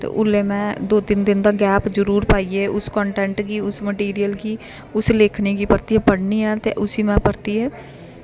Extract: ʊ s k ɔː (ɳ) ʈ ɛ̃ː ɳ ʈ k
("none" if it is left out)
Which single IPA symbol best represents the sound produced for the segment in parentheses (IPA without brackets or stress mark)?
ɳ